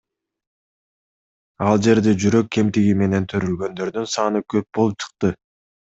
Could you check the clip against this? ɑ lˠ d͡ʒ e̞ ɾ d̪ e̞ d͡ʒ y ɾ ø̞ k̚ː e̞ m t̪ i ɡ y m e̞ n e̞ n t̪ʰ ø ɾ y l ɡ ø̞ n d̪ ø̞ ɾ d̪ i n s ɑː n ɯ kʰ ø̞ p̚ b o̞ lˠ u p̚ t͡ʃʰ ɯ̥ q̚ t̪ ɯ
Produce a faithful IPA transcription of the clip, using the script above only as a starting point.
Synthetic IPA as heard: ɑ lˠ d͡ʒ e̞ ɾ d̪ e̞ d͡ʒ y ɾ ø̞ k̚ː e̞ m t̪ i ɡ i m e̞ n e̞ n t̪ʰ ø ɾ y l ɡ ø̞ n d̪ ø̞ ɾ d̪ y n s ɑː n ɯ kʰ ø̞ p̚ b o̞ lˠ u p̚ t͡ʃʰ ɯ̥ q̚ t̪ ɯ